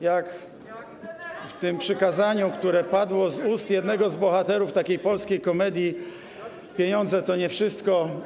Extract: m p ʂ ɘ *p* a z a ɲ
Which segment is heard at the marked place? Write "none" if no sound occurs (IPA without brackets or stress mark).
k